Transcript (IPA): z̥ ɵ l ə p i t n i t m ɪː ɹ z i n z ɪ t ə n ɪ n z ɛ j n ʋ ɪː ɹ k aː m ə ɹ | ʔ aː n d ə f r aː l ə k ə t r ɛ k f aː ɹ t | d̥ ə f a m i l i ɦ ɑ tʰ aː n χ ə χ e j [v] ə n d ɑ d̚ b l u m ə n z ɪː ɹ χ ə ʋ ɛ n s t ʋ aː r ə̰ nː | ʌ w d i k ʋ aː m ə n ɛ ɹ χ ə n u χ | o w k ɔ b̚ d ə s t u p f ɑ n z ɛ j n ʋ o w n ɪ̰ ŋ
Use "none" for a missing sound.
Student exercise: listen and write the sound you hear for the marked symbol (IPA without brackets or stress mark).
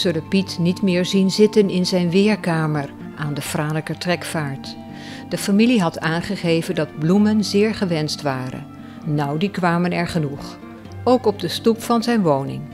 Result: v